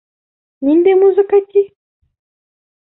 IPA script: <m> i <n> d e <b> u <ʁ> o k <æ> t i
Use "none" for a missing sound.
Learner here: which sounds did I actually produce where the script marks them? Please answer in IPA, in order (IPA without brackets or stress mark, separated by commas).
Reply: n, n, m, z, a